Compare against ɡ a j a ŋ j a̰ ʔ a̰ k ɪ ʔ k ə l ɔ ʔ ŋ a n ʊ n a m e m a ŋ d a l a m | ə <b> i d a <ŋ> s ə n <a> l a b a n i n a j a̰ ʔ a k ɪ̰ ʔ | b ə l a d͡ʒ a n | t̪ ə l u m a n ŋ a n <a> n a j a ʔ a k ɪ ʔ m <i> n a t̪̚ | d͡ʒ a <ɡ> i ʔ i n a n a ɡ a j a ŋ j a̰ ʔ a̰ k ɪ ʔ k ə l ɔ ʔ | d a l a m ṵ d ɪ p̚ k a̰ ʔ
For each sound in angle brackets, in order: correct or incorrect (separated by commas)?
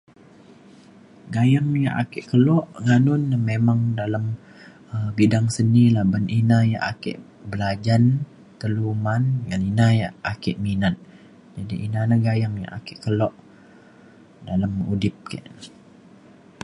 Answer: correct, correct, incorrect, incorrect, correct, incorrect